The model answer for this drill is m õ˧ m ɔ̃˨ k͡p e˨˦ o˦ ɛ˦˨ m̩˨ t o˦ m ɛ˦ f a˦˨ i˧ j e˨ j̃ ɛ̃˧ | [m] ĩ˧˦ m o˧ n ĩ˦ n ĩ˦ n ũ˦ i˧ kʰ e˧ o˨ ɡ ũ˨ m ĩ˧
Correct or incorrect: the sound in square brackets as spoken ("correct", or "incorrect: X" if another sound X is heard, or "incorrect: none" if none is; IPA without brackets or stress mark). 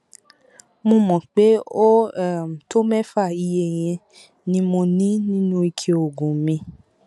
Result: incorrect: n